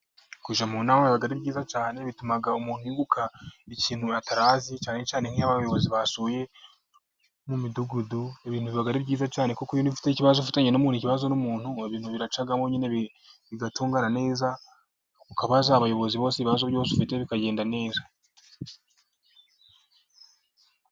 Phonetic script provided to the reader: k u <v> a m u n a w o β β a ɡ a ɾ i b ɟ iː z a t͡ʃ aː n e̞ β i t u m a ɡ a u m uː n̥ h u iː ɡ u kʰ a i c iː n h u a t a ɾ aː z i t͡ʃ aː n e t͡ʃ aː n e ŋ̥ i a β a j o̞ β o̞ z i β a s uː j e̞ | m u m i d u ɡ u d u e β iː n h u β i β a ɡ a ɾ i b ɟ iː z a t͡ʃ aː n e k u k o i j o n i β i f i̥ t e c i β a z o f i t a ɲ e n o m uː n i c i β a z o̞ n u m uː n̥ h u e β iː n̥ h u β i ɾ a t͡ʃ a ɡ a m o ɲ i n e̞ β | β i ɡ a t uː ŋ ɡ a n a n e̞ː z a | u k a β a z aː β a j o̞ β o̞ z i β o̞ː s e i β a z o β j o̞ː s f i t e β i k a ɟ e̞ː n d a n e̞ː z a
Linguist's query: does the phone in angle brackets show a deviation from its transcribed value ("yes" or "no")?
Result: yes